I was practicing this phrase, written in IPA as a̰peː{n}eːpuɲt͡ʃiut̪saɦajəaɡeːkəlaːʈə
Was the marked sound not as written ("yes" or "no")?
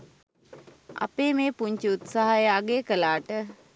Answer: yes